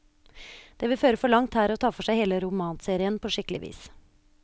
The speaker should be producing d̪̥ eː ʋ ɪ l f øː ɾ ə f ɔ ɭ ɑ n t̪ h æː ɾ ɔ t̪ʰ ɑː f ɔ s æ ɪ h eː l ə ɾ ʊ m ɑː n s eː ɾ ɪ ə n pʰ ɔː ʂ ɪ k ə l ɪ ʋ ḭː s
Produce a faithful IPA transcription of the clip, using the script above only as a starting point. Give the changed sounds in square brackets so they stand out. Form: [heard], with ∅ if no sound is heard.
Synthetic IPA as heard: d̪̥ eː ʋ ɪ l f øː ɾ ə f ɔ ɭ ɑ [ŋ] t̪ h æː ɾ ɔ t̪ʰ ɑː f ɔ [ʂ] æ ɪ h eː l ə ɾ ʊ m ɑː n s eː ɾ ɪ ə n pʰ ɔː ʂ ɪ k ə l ɪ ʋ ḭː s